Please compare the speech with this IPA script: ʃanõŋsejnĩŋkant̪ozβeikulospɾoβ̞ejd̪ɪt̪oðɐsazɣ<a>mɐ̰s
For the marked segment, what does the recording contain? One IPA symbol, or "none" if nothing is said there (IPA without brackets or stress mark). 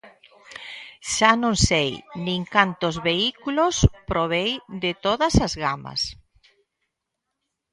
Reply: a